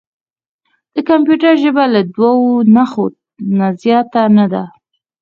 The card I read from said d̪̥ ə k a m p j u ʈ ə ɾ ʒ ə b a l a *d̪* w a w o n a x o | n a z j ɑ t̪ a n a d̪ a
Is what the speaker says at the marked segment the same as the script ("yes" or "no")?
yes